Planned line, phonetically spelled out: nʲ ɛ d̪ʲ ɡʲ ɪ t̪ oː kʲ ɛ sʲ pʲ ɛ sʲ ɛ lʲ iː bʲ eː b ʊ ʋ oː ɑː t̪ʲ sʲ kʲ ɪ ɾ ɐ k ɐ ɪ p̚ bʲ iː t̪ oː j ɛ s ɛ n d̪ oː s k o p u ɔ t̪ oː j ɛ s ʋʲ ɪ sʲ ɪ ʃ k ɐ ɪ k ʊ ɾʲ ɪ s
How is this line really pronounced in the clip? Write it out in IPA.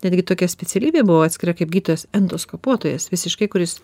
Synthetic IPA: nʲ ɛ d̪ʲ ɡʲ ɪ t̪ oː kʲ ɛ sʲ pʲ ɛ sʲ ɛ lʲ iː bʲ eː b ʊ ʋ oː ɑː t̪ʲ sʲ kʲ ɪ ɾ ɐ k ɐ ɪ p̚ ɡʲ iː t̪ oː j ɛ s ɛ n d̪ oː s k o p u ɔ t̪ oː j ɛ s ʋʲ ɪ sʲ ɪ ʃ k ɐ ɪ k ʊ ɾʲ ɪ s